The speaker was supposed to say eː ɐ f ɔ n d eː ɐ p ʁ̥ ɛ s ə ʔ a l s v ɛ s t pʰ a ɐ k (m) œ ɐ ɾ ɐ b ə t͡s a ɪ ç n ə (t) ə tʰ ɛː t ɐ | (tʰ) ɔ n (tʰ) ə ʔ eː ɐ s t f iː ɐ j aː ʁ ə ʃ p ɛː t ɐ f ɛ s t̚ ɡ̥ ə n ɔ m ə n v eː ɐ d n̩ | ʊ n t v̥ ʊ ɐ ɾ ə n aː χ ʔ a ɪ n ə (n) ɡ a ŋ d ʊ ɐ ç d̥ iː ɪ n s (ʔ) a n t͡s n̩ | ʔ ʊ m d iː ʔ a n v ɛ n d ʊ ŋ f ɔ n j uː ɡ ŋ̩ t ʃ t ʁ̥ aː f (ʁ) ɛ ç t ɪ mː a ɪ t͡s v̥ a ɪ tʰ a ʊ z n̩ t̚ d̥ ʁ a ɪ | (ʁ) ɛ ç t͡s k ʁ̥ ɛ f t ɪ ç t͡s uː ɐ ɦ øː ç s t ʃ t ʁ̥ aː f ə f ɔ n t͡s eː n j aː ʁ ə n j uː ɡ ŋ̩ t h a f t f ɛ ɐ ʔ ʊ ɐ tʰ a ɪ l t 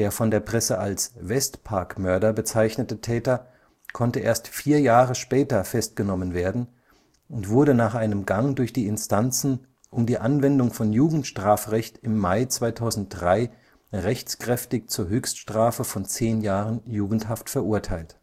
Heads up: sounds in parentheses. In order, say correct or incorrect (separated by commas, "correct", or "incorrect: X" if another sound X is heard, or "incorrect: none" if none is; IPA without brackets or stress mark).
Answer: correct, correct, incorrect: kʰ, incorrect: t, incorrect: m, incorrect: t, correct, correct